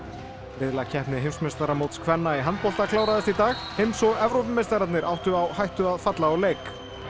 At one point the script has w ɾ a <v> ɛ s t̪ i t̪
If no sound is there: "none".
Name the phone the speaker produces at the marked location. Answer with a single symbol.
ð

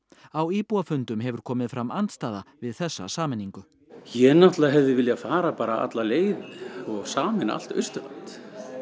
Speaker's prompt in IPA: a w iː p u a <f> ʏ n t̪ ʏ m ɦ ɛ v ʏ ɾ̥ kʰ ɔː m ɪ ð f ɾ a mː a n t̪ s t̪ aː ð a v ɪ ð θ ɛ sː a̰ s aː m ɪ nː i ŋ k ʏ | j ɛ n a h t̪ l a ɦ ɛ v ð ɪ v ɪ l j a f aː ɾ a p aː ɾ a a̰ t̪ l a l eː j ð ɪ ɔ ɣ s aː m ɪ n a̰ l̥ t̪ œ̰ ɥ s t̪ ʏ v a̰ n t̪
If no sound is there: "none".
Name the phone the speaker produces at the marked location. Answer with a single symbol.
f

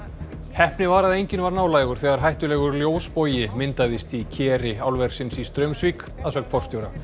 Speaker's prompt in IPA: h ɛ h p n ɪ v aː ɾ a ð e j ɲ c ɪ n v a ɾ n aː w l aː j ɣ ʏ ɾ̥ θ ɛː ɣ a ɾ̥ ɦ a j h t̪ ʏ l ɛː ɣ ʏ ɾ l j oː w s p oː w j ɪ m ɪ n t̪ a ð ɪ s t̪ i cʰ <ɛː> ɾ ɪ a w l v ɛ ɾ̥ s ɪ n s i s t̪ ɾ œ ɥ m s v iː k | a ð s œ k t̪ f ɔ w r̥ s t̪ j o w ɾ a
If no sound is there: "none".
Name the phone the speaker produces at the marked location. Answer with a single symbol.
ɛː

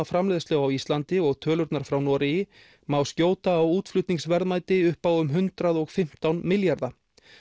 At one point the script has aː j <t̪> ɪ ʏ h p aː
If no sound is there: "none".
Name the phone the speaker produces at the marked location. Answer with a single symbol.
t̪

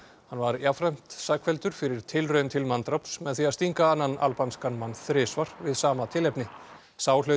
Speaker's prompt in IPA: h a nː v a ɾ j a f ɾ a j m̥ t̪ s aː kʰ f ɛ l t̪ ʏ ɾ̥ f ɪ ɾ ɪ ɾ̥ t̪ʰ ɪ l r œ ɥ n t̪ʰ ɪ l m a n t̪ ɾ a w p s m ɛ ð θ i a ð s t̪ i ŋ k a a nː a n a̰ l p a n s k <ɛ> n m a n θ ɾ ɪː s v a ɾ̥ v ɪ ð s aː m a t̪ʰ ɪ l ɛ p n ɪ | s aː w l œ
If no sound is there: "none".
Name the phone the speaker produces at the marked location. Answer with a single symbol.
a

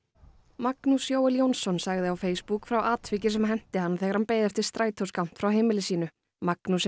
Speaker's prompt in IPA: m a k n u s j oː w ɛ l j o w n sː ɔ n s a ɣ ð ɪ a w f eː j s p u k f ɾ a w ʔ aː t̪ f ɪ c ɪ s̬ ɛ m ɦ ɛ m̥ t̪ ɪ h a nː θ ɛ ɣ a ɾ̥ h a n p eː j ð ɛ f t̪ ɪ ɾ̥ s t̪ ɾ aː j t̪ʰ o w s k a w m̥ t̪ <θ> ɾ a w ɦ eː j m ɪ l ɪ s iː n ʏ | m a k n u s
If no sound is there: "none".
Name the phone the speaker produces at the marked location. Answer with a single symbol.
f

